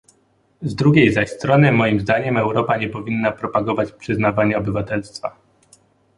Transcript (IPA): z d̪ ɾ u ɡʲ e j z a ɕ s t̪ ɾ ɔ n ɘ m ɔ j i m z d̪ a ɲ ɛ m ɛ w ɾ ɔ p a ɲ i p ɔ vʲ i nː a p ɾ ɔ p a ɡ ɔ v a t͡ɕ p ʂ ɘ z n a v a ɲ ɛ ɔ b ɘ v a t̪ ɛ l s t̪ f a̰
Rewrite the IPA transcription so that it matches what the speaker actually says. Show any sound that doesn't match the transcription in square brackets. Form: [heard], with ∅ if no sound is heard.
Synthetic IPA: z d̪ ɾ u ɡʲ e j z a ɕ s t̪ ɾ ɔ n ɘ m ɔ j i m z d̪ a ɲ ɛ m ɛ w ɾ ɔ p a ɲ [ɛ] p ɔ vʲ i nː a p ɾ ɔ p a ɡ ɔ v a t͡ɕ p ʂ ɘ z n a v a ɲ ɛ ɔ b ɘ v a t̪ ɛ l s t̪ f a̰